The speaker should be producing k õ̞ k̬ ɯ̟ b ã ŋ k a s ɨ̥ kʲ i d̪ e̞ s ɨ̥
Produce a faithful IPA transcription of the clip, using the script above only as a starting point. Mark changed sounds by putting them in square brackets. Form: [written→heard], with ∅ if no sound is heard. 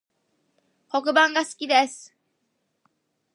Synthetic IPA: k [õ̞→o̞] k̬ ɯ̟ b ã ŋ [k→ɡ] a s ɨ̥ kʲ i d̪ e̞ s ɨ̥

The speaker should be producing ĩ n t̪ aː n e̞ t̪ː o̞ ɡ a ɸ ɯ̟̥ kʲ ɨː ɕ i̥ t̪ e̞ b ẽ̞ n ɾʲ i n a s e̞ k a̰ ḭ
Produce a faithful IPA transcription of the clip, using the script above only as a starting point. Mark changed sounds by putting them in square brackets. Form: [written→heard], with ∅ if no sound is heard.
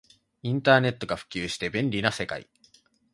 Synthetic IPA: ĩ n t̪ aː n e̞ t̪ː o̞ ɡ a ɸ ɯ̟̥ kʲ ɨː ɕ i̥ t̪ e̞ b ẽ̞ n ɾʲ i n a s e̞ k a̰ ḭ

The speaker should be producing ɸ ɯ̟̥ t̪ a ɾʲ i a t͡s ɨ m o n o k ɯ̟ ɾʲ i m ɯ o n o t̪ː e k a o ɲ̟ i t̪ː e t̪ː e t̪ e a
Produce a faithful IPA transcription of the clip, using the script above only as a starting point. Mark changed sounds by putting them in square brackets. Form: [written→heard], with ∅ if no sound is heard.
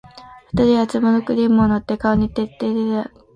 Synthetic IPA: ɸ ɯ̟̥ t̪ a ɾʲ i a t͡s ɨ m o n o k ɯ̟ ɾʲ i m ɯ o n o t̪ː e k a o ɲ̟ i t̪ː e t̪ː e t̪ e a

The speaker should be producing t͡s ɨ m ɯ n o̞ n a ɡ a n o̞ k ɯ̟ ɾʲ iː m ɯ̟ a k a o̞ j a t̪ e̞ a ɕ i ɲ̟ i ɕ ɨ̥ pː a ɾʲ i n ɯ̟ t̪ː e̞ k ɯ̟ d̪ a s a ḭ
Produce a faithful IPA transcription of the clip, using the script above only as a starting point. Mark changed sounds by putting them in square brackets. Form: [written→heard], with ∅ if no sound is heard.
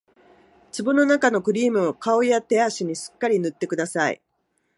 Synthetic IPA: t͡s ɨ [m→b] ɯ n o̞ n a [ɡ→k] a n o̞ k ɯ̟ ɾʲ iː m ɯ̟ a k a o̞ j a t̪ e̞ a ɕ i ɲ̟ i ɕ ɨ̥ [pː→kː] a ɾʲ i n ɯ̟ t̪ː e̞ k ɯ̟ d̪ a s a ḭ

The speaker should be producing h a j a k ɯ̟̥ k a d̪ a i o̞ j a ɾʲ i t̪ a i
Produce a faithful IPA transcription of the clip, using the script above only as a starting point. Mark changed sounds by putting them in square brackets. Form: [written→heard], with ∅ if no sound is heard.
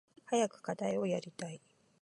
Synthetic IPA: h a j a k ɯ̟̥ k a d̪ a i o̞ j a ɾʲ i t̪ a i

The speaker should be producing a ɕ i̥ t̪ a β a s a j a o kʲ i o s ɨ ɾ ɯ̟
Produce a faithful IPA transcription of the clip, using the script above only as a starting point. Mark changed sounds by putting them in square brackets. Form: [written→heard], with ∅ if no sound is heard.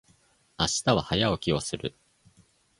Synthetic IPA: a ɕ i̥ t̪ a β a [s→h] a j a o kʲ i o s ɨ ɾ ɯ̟

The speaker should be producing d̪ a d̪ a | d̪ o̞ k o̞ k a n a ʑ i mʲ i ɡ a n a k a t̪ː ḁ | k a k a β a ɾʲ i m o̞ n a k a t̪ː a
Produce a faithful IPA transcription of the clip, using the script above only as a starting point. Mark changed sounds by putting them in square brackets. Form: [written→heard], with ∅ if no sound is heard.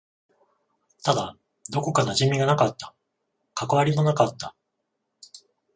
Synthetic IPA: [d̪→t̪] a d̪ a | d̪ o̞ k o̞ k a n a ʑ i mʲ i ɡ a n a k a t̪ː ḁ | k a k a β a ɾʲ i m o̞ n a k a t̪ː a

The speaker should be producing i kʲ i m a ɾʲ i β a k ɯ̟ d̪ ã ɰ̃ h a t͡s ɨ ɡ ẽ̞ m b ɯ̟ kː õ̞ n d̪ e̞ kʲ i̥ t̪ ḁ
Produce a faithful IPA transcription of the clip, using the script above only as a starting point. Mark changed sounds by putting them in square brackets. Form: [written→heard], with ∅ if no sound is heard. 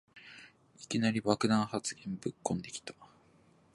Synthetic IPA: i kʲ i [m→n] a ɾʲ i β a k ɯ̟ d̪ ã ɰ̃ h a t͡s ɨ ɡ ẽ̞ m b ɯ̟ kː õ̞ n d̪ e̞ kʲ i̥ t̪ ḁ

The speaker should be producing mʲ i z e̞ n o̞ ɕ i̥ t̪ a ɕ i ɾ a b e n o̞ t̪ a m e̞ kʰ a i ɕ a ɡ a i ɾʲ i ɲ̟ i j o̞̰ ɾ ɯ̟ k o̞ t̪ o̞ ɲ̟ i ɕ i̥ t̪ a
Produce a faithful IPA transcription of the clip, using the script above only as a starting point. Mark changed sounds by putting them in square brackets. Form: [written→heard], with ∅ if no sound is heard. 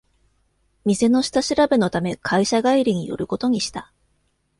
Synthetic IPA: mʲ i z e̞ n o̞ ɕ i̥ t̪ a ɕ i ɾ a b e n o̞ t̪ a m e̞ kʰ a i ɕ a ɡ a i ɾʲ i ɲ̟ i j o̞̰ ɾ ɯ̟ k o̞ t̪ o̞ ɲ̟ i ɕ i̥ t̪ a

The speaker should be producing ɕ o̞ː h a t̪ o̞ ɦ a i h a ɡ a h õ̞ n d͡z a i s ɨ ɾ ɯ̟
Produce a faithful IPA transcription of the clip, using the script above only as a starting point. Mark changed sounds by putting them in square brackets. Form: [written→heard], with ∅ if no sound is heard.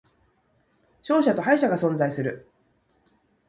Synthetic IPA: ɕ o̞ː [h→ɕ] a t̪ o̞ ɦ a i [h→ɕ] a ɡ a [h→s] õ̞ n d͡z a i s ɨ ɾ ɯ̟

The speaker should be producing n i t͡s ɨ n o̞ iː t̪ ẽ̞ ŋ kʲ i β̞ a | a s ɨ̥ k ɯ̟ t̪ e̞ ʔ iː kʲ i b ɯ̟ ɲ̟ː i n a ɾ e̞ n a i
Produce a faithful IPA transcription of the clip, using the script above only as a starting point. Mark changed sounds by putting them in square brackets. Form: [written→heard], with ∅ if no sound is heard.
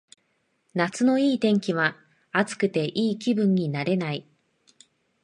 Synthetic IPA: n [i→a] t͡s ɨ n o̞ iː t̪ ẽ̞ ŋ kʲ i β̞ a | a [s→t͡s] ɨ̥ k ɯ̟ t̪ e̞ ʔ iː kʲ i b [ɯ̟→ɯ̟̃] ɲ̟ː i n a ɾ e̞ n a i

